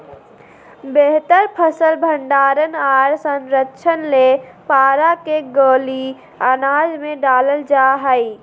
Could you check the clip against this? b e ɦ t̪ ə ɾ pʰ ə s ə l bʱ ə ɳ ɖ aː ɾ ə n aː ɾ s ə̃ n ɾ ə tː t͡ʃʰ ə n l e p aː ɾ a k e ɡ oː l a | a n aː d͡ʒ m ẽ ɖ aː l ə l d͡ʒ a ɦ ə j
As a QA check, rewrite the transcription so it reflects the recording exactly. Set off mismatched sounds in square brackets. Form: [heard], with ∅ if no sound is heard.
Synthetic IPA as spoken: b e ɦ t̪ ə ɾ pʰ ə s ə l bʱ ə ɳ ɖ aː ɾ ə n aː ɾ s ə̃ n ɾ ə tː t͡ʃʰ ə n l e p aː ɾ a k e ɡ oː l [i] | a n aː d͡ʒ m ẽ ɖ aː l ə l d͡ʒ a ɦ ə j